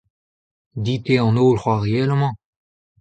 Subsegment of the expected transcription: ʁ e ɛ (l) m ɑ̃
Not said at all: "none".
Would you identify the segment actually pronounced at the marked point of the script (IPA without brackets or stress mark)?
l